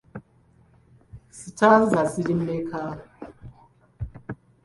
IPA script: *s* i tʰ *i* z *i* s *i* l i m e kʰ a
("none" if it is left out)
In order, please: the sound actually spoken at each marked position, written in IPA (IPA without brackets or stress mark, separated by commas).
s, a, a, i